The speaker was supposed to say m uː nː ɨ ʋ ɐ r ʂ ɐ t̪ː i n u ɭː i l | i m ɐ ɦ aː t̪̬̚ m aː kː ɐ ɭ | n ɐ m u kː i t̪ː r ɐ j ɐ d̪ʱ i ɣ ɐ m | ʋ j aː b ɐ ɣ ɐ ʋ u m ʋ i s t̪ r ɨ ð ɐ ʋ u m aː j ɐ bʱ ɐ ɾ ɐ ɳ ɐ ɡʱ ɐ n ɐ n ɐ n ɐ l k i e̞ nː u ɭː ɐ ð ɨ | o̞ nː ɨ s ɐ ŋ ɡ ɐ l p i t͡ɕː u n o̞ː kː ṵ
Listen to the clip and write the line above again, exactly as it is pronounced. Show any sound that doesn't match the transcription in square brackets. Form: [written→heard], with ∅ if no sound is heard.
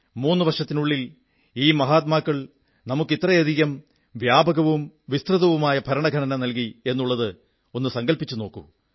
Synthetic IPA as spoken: m uː nː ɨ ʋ ɐ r ʂ ɐ t̪ː i n u ɭː i l | [i→iː] m ɐ ɦ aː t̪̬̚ m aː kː ɐ ɭ | n ɐ m u kː i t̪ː r ɐ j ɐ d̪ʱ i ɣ ɐ m | ʋ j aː b ɐ ɣ ɐ ʋ u m ʋ i s t̪ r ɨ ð ɐ ʋ u m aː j ɐ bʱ ɐ ɾ ɐ ɳ ɐ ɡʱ ɐ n ɐ n ɐ n ɐ l k i e̞ nː u ɭː ɐ ð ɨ | o̞ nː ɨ s ɐ ŋ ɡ ɐ l p i t͡ɕː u n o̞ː kː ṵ